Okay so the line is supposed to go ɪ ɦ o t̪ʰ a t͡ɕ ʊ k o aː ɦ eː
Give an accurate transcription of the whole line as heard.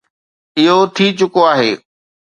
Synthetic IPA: ɪ ɦ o t̪ʰ i t͡ɕ ʊ k o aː ɦ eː